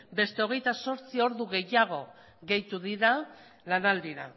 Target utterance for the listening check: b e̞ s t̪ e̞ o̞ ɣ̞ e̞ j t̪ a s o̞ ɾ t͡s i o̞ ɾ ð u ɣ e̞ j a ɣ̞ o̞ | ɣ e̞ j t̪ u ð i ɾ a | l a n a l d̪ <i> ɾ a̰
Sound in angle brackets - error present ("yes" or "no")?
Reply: no